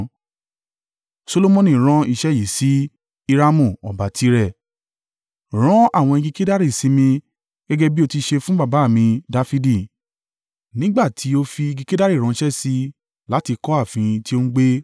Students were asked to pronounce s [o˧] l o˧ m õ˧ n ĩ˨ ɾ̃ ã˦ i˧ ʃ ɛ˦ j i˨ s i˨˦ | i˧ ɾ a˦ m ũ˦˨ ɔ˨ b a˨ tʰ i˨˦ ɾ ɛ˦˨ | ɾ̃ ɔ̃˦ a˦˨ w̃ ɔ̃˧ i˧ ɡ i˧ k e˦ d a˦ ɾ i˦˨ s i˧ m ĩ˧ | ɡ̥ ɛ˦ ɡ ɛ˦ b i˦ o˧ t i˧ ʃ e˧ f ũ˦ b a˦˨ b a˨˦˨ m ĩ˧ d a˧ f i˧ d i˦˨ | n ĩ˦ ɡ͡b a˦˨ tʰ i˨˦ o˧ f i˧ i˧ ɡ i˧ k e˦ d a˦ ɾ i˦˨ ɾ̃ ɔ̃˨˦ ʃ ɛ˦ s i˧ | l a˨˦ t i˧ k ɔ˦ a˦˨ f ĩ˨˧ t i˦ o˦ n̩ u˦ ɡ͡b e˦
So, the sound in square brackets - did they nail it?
yes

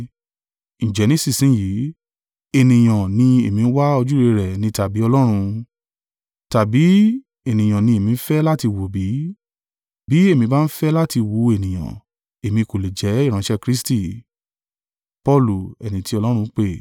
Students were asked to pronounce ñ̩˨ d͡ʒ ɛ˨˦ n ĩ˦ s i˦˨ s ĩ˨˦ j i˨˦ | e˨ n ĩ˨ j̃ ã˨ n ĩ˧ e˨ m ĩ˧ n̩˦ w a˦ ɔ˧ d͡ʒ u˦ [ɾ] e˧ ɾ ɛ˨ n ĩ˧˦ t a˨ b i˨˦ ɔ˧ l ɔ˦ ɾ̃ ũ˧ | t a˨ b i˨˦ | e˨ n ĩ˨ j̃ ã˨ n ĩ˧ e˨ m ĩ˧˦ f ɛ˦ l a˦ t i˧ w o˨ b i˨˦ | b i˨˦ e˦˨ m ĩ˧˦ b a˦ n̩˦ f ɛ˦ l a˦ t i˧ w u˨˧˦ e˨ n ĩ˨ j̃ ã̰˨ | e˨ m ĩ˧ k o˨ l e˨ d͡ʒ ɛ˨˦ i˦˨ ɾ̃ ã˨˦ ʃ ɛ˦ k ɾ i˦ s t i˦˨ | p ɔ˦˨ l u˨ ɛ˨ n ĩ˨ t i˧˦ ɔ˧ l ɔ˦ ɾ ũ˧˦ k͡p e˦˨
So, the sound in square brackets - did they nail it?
yes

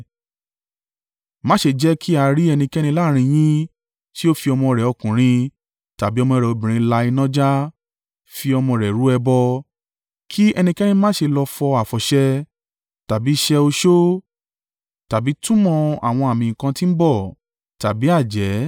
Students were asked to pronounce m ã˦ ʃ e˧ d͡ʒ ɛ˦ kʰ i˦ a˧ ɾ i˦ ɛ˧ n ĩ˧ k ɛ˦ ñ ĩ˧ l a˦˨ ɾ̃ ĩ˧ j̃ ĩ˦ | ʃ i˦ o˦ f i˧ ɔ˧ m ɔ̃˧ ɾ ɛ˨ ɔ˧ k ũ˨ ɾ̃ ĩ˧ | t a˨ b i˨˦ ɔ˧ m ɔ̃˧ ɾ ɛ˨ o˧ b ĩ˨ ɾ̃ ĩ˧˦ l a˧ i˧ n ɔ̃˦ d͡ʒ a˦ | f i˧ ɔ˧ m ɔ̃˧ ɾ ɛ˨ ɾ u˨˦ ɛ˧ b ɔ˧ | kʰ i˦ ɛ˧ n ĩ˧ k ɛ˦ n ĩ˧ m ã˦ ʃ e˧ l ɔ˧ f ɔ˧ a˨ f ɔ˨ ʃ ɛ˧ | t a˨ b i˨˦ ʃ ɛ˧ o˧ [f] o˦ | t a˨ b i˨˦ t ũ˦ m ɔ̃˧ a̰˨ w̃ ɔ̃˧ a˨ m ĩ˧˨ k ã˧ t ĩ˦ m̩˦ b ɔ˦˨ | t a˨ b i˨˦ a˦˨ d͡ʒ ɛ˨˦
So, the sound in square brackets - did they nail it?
no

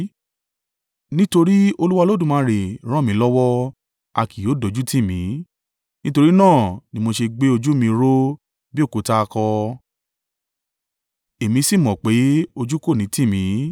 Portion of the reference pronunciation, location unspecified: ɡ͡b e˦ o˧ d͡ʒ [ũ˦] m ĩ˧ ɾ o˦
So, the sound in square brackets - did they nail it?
no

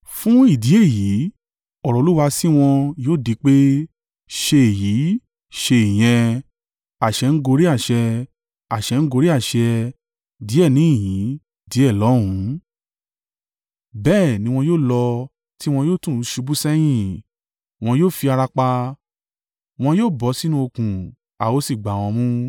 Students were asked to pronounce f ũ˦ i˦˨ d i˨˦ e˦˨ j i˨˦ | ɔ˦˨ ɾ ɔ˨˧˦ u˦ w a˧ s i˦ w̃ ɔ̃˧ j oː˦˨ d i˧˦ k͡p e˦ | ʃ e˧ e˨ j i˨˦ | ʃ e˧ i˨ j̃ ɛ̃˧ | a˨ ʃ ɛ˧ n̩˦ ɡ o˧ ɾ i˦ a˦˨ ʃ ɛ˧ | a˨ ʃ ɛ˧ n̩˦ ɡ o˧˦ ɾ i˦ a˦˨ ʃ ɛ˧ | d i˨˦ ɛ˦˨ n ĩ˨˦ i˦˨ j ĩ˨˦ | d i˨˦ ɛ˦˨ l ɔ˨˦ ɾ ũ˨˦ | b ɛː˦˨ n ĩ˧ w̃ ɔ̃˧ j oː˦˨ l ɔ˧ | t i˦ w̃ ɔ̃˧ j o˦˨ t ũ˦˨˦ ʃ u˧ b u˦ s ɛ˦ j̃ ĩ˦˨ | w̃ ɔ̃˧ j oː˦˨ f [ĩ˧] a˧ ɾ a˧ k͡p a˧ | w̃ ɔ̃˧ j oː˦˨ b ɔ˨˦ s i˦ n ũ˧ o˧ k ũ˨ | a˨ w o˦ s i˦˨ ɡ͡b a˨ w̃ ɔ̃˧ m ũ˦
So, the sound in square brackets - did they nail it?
no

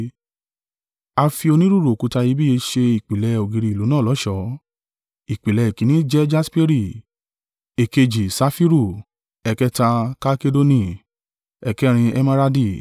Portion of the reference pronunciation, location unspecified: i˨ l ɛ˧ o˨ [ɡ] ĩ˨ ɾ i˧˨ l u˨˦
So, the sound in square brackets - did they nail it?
yes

